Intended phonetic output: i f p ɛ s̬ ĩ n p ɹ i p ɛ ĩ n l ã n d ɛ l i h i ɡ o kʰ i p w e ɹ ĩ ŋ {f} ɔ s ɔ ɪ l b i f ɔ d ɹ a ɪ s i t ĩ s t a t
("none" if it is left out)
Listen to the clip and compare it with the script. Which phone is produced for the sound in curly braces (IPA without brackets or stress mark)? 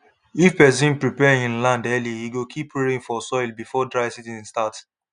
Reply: f